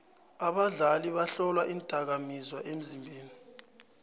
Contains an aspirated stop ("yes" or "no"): no